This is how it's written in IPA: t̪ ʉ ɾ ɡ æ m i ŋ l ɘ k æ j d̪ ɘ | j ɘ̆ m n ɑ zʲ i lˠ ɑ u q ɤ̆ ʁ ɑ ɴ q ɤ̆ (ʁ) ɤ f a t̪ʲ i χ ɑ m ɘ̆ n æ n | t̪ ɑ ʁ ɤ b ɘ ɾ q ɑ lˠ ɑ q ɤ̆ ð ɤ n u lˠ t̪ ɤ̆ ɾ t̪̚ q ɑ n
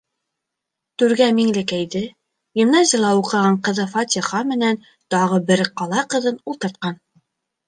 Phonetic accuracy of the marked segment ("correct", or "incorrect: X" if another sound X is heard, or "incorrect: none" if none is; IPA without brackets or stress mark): incorrect: ð